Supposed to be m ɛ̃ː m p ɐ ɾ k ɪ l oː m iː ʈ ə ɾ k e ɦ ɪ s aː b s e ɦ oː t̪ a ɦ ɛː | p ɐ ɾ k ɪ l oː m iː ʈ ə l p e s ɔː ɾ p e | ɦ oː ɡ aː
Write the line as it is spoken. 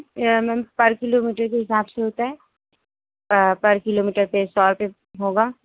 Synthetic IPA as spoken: m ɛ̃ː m p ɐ ɾ k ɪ l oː m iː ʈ ə ɾ k e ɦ ɪ s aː b s e ɦ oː t̪ a ɦ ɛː | p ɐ ɾ k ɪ l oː m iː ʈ ə ɾ p e s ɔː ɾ p e | ɦ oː ɡ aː